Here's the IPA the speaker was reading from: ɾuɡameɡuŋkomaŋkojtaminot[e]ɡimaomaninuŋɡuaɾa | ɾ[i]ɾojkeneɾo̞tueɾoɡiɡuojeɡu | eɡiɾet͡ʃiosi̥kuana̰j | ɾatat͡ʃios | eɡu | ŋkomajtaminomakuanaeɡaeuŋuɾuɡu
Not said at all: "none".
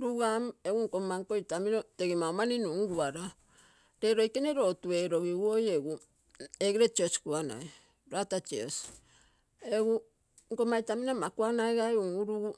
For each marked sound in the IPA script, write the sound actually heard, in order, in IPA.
e, e

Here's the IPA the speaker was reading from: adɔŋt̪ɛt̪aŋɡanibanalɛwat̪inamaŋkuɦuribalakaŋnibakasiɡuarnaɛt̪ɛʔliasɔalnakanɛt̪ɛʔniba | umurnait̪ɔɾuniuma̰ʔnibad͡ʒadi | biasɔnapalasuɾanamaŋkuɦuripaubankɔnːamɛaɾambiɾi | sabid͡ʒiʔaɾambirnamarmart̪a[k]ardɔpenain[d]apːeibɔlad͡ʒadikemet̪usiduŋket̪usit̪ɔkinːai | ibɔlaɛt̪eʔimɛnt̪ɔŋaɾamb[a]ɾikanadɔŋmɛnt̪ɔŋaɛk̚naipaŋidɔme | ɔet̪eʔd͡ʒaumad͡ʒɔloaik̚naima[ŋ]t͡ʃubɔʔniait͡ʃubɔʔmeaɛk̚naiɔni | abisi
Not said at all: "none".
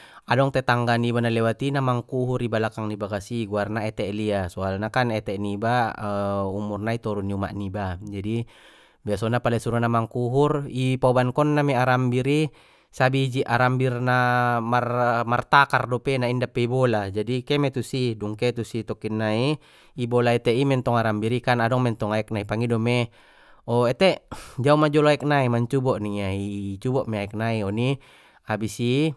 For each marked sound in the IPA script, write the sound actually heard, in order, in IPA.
k, d, i, ɲ

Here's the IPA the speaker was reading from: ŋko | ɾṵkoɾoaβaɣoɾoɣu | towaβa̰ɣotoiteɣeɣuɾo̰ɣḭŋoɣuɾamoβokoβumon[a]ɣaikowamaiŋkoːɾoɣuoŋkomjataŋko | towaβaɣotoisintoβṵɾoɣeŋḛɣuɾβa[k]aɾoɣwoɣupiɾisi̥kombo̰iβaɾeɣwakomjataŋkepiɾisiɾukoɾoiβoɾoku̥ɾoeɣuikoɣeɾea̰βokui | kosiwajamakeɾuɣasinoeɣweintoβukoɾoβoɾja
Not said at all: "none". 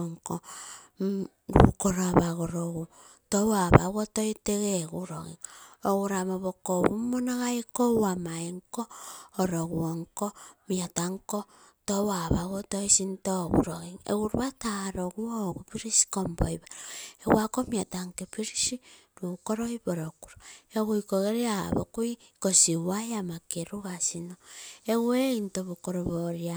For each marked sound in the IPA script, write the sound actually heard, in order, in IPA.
a, t

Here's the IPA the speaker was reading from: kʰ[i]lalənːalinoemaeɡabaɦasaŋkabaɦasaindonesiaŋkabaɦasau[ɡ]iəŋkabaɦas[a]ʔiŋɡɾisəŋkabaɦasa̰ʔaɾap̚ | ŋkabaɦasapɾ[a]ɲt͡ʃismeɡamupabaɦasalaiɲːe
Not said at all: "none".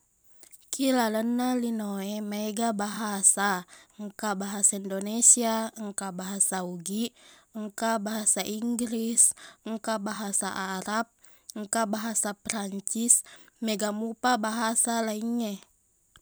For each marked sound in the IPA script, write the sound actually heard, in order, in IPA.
i, ɡ, a, a

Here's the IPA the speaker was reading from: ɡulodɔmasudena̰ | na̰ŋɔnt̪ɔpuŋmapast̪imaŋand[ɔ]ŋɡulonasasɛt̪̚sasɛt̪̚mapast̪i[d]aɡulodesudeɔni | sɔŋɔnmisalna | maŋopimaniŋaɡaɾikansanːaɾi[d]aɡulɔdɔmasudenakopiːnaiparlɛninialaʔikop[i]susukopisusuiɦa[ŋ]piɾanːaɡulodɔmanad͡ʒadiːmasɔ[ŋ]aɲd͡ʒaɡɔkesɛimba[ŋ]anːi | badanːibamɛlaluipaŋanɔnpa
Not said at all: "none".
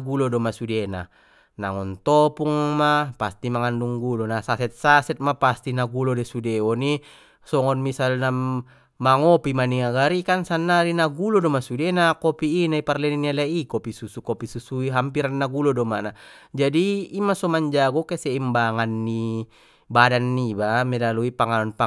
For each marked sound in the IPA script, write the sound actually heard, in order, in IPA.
u, n, n, i, m, m, ŋ

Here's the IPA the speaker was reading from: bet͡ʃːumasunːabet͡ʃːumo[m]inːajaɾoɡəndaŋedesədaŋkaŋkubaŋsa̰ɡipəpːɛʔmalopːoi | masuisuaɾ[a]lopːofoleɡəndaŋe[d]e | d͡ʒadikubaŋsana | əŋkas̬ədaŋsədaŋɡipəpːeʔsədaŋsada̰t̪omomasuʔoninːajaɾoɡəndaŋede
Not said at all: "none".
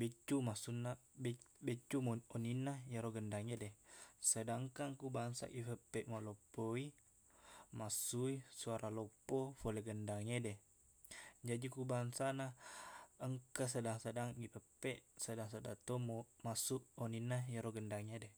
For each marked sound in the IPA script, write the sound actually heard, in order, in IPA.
n, a, d

